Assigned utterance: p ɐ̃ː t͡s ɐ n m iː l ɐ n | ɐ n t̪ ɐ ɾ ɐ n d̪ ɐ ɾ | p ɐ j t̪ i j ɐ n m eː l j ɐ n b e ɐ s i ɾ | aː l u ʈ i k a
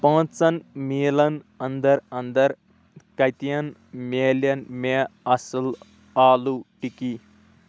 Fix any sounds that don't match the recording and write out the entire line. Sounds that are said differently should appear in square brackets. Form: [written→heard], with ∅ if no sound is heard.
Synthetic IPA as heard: p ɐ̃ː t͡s ɐ n m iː l ɐ n | ɐ n [t̪→d̪] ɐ ɾ ɐ n d̪ ɐ ɾ | [p→k] ɐ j t̪ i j ɐ n m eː l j ɐ n [b→m] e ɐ s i [ɾ→l] | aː l u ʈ i k [a→i]

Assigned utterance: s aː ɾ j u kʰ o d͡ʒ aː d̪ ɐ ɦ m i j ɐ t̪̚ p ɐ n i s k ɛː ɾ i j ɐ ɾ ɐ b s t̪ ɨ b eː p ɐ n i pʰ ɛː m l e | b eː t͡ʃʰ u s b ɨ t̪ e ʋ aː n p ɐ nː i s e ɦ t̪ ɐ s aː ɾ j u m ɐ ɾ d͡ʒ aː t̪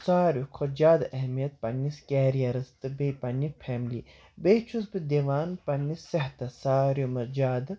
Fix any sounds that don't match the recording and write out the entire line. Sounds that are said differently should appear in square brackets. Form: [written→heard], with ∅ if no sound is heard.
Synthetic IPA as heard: s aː ɾ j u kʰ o d͡ʒ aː d̪ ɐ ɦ m i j ɐ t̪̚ p ɐ n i s k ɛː ɾ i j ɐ ɾ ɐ [b→∅] s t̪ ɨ b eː p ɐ n i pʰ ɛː m l [e→i] | b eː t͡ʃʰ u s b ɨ [t̪→d̪] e ʋ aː n p ɐ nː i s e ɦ t̪ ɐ s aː ɾ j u m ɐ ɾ d͡ʒ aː [t̪→d̪]

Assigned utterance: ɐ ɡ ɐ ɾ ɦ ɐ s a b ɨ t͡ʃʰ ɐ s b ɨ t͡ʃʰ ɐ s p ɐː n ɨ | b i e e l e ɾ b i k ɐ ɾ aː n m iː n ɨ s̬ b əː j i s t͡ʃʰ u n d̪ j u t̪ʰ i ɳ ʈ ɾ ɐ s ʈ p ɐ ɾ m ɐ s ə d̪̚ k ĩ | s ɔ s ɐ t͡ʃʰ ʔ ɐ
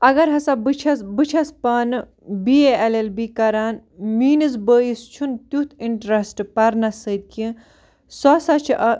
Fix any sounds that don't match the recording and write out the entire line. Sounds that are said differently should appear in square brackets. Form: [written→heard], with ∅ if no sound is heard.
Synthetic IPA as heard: ɐ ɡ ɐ ɾ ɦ ɐ s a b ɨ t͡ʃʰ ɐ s b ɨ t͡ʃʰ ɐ s p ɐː n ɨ | b i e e l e [ɾ→l] b i k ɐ ɾ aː n m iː n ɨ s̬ b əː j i s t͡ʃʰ u n [d̪→t̪] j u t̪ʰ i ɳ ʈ ɾ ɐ s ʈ p ɐ ɾ [m→n] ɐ s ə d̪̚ k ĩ | s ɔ s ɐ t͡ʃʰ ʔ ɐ

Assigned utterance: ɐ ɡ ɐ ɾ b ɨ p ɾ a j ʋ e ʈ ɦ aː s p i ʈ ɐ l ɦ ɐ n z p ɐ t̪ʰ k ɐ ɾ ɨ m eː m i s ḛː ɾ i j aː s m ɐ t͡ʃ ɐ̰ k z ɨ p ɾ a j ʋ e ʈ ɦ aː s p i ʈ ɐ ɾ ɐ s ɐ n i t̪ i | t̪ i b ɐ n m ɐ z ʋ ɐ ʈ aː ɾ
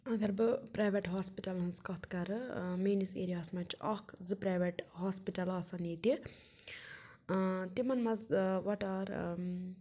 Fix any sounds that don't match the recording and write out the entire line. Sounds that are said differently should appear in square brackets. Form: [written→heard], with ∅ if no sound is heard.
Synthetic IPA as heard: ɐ ɡ ɐ ɾ b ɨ p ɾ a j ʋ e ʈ ɦ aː s p i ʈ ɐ l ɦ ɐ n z [p→k] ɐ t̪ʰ k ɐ ɾ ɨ m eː [m→n] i s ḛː ɾ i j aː s m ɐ t͡ʃ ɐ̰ k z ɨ p ɾ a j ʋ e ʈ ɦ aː s p i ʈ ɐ [ɾ→l] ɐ s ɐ n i t̪ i | t̪ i [b→m] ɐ n m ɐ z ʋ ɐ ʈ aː ɾ

